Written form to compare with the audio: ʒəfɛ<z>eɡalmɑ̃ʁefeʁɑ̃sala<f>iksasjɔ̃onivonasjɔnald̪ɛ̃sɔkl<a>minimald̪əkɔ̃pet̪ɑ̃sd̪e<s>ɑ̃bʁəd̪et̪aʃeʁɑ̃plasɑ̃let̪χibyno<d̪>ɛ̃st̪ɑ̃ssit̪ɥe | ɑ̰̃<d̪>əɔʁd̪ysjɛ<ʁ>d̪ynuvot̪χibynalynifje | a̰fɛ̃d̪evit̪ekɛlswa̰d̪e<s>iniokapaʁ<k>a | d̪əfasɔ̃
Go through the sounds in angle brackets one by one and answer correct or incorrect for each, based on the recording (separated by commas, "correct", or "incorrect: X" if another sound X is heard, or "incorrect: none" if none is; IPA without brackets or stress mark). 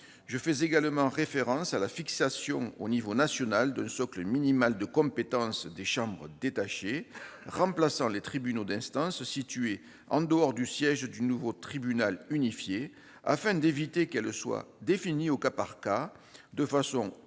correct, correct, incorrect: ə, incorrect: ʃ, correct, correct, incorrect: ʒ, incorrect: f, correct